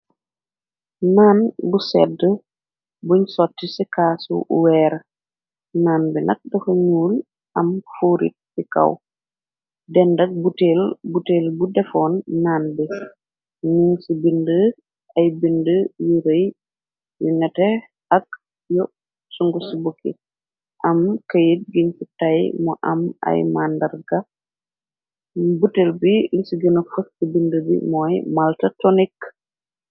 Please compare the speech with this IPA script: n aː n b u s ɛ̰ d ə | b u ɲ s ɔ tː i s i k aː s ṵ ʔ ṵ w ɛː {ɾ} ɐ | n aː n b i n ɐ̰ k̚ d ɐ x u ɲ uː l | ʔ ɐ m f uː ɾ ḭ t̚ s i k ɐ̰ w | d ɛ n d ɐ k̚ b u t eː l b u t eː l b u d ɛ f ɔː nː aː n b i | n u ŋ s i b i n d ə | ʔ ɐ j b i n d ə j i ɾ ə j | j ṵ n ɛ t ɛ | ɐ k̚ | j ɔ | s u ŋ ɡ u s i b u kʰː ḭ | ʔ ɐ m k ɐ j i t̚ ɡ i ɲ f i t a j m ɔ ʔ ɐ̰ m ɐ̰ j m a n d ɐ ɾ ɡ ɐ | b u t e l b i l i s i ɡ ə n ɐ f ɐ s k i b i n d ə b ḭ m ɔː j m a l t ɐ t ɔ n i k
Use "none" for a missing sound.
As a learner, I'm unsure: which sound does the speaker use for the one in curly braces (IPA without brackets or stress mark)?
ɾ